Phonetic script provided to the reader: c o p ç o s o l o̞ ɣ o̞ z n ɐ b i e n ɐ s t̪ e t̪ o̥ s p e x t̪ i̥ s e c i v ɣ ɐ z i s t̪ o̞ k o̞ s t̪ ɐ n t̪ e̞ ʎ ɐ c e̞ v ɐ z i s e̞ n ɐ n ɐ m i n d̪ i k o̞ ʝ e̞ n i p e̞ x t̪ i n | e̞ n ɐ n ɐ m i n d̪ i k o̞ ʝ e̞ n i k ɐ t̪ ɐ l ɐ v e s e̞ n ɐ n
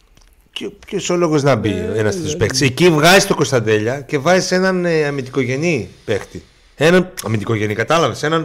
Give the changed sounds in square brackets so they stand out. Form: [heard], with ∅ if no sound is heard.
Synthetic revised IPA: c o p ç o s o l o̞ ɣ o̞ z n ɐ b i e n ɐ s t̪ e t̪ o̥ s p e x t̪ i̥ s e c i v ɣ ɐ z i s t̪ o̞ k o̞ s t̪ ɐ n [d̪] e̞ ʎ ɐ c e̞ v ɐ z i s e̞ n ɐ n ɐ m i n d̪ i k o̞ ʝ e̞ n i p e̞ x t̪ i [∅] | e̞ n ɐ n ɐ m i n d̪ i k o̞ ʝ e̞ n i k ɐ t̪ ɐ l ɐ v e s e̞ n ɐ n